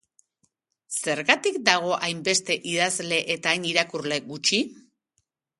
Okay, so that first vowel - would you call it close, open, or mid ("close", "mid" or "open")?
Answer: mid